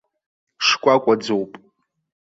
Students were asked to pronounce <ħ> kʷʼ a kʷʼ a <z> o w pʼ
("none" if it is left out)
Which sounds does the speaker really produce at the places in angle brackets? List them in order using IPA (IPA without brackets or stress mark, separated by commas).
ʂ, d͡z